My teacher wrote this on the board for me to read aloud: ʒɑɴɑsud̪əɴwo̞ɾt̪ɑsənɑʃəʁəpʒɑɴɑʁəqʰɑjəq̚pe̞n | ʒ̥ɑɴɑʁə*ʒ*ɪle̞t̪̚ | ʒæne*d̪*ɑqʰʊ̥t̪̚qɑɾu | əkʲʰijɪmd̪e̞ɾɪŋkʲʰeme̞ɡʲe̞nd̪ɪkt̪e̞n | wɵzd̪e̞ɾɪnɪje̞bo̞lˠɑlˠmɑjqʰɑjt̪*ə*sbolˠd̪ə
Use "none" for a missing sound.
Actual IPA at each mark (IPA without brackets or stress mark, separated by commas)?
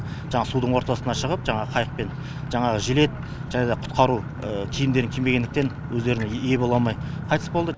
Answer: ʒ, d̪, ə